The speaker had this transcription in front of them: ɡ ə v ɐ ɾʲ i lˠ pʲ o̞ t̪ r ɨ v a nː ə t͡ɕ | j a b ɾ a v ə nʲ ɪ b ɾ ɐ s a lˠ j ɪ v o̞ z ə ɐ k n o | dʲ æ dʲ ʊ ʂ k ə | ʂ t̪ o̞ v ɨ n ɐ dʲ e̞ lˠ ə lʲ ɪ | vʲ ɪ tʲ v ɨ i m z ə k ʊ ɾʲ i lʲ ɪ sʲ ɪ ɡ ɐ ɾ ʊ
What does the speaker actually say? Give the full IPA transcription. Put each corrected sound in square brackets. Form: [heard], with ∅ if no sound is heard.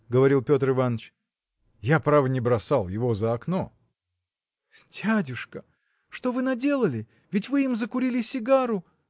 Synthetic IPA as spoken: ɡ ə v ɐ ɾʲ i lˠ pʲ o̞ t̪ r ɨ v a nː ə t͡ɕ | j a [p] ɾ a v ə nʲ ɪ b ɾ ɐ s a lˠ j ɪ v o̞ z ə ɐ k n o | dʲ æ dʲ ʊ ʂ k ə | ʂ t̪ o̞ v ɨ n ɐ dʲ e̞ lˠ ə lʲ ɪ | vʲ ɪ tʲ v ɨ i m z ə k ʊ ɾʲ i lʲ ɪ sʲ ɪ ɡ [a] ɾ ʊ

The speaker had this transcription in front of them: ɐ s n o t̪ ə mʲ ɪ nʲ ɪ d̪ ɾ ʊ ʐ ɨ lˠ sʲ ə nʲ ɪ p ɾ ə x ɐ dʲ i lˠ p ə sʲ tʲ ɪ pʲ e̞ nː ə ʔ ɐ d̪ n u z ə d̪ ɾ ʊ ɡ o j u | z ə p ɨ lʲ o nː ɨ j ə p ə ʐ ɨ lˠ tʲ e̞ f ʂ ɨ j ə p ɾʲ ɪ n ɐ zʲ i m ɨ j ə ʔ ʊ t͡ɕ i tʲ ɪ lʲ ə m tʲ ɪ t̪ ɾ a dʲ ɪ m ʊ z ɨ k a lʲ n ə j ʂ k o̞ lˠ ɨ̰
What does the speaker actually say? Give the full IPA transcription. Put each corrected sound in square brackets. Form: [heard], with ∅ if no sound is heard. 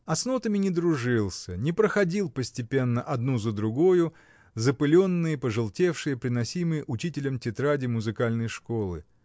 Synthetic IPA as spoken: ɐ s n o t̪ ə mʲ ɪ nʲ ɪ d̪ ɾ ʊ ʐ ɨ lˠ sʲ ə nʲ ɪ p ɾ ə x ɐ dʲ i lˠ p ə sʲ tʲ ɪ pʲ e̞ nː ə ʔ ɐ d̪ n u z ə d̪ ɾ ʊ ɡ o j [ʊ] | z ə p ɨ lʲ o nː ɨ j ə p ə ʐ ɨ lˠ tʲ e̞ f ʂ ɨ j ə p ɾʲ ɪ n ɐ [sʲ] i m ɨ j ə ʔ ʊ t͡ɕ i tʲ ɪ lʲ ə m tʲ ɪ t̪ ɾ a dʲ ɪ m ʊ z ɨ k a lʲ n ə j ʂ k o̞ lˠ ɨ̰

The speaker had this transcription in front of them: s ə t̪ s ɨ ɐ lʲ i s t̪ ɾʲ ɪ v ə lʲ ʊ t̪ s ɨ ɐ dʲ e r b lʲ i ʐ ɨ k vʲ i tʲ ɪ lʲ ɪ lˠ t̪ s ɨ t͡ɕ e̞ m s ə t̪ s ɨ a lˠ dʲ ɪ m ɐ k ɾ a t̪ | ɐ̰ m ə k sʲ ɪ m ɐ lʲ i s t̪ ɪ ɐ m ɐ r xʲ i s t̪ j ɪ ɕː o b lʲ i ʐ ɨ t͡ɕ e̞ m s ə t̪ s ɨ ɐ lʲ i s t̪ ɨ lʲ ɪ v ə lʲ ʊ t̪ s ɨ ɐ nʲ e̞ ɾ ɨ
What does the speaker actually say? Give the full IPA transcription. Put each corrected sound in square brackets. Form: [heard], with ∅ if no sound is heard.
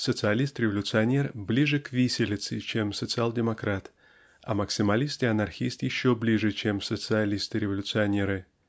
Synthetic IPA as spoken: s ə t̪ s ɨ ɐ lʲ i s t̪ ɾʲ ɪ v ə lʲ ʊ t̪ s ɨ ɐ [nʲ] e r b lʲ i ʐ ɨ k vʲ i [sʲ] ɪ lʲ ɪ [∅] t̪ s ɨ t͡ɕ e̞ m s ə t̪ s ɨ a lˠ dʲ ɪ m ɐ k ɾ a t̪ | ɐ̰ m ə k sʲ ɪ m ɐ lʲ i s t̪ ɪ ɐ [n] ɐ r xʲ i s t̪ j ɪ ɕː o b lʲ i ʐ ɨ t͡ɕ e̞ m s ə t̪ s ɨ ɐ lʲ i s t̪ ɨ [ɾʲ] ɪ v ə lʲ ʊ t̪ s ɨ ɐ nʲ e̞ ɾ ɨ

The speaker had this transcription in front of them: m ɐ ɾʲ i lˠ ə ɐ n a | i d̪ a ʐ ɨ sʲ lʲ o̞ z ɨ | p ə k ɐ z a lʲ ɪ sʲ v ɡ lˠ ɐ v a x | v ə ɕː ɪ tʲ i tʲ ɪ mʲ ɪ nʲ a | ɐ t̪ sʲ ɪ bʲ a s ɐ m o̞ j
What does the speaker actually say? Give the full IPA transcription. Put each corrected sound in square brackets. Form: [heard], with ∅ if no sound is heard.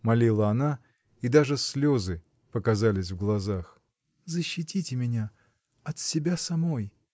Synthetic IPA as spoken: m ɐ [lʲ] i lˠ ə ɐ n a | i d̪ a ʐ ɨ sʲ lʲ o̞ z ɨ | p ə k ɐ z a lʲ ɪ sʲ v ɡ lˠ ɐ [z] a x | [z] ə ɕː ɪ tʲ i tʲ ɪ mʲ ɪ nʲ a | ɐ t̪ sʲ ɪ bʲ a s ɐ m o̞ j

